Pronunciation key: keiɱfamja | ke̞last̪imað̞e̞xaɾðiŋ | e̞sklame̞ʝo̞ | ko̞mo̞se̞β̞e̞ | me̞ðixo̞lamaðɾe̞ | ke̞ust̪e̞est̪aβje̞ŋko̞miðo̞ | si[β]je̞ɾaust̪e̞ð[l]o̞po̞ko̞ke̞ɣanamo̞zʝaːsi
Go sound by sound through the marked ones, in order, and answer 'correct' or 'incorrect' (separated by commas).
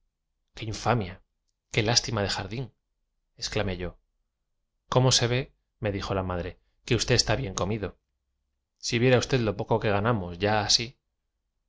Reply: correct, correct